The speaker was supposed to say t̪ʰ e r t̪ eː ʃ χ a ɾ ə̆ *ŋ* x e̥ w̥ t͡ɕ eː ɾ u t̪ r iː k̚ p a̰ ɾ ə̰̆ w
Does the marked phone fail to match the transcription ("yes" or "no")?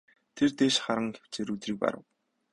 no